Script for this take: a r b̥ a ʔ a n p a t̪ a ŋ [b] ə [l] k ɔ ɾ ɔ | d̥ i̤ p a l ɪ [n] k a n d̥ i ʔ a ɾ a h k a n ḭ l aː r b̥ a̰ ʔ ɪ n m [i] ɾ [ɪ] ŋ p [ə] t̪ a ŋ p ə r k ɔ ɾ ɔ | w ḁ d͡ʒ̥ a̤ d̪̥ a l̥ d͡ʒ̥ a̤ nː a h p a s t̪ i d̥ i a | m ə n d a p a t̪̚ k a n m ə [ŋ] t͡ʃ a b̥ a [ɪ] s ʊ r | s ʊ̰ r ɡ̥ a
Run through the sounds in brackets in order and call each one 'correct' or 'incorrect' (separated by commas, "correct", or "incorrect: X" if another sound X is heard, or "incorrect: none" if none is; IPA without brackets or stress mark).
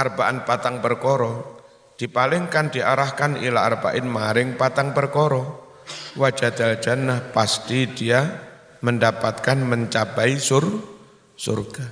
incorrect: p, incorrect: r, incorrect: ŋ, incorrect: a, correct, incorrect: a, incorrect: ɲ, incorrect: i